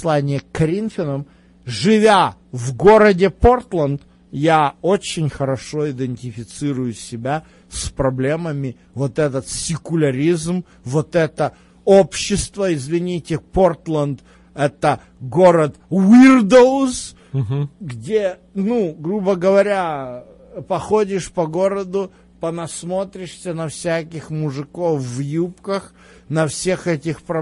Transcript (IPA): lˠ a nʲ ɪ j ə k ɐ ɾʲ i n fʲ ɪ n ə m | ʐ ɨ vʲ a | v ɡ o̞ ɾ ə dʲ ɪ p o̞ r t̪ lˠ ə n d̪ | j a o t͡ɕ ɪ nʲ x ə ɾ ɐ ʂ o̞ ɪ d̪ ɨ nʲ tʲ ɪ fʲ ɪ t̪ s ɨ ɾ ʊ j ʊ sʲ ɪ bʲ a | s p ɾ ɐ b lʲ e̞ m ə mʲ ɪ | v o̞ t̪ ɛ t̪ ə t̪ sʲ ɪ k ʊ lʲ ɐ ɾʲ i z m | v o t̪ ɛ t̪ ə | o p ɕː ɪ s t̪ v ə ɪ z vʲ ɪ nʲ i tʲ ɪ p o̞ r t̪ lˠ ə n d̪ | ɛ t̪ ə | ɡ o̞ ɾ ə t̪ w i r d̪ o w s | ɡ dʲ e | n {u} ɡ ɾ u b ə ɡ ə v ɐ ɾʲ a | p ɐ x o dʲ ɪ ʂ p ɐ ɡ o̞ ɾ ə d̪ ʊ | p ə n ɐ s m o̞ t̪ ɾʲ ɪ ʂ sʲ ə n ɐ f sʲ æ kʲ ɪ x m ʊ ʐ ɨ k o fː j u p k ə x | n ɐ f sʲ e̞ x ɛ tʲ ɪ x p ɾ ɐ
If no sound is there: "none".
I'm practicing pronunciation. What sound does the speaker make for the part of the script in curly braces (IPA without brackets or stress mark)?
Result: u